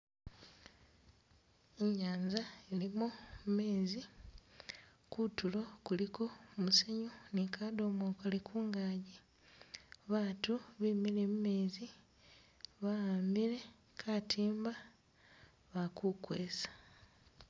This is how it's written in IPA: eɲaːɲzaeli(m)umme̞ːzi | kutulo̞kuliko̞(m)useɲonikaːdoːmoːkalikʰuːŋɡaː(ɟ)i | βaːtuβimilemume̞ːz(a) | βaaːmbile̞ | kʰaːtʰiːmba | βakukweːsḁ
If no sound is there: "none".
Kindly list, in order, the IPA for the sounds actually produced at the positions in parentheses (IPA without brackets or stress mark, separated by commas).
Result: m, m, ɟ, i